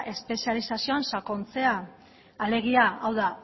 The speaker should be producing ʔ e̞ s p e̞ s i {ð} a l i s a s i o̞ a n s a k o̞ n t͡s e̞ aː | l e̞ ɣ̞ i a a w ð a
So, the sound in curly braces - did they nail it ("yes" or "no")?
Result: no